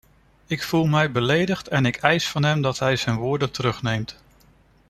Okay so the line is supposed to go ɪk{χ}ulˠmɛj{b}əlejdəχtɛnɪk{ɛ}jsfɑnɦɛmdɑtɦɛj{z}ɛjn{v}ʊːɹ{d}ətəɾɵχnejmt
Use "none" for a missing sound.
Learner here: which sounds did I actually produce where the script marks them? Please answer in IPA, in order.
f, b, ɛ, z, ʋ, d

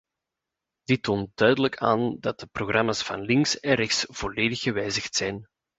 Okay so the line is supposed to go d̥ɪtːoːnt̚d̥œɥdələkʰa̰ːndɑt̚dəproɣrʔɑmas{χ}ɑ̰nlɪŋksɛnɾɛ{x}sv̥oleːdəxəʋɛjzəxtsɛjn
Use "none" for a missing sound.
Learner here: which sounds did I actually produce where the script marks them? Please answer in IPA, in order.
f, x

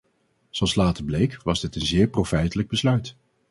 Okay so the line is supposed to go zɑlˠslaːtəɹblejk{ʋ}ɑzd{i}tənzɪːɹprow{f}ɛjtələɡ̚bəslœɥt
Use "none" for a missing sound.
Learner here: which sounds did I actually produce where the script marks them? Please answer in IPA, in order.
ʋ, ɪ, f

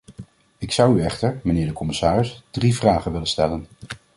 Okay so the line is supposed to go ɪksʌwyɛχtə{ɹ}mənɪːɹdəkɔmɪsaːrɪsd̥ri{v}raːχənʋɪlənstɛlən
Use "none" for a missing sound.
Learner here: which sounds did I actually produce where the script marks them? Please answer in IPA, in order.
ɹ, v

